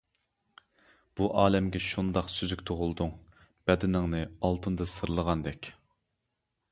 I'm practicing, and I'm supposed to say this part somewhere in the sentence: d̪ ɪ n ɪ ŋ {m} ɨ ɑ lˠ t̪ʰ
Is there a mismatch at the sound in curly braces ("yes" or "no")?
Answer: yes